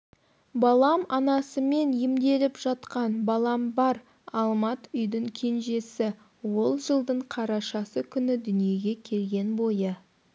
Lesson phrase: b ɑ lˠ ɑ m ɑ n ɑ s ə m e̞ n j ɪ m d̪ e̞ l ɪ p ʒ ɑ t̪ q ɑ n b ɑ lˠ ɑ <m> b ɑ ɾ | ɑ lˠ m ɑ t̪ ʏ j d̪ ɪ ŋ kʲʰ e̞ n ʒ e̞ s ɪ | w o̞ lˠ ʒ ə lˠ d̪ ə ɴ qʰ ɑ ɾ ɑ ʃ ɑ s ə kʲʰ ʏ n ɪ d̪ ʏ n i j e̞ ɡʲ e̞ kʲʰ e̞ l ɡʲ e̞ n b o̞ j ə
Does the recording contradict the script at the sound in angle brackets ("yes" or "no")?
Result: no